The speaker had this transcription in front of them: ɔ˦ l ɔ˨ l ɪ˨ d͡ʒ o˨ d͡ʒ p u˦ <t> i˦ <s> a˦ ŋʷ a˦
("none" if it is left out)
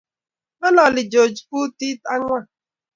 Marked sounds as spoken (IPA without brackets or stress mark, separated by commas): t, t